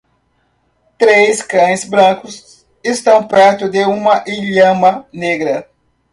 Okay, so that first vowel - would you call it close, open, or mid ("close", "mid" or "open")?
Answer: mid